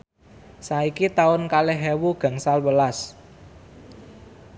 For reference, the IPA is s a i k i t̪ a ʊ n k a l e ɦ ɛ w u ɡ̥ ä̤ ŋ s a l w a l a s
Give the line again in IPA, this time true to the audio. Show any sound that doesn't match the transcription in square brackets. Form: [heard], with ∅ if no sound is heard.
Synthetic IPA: s a i k i t̪ a ʊ n k a l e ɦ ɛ w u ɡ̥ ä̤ ŋ s a l w [ə] l a s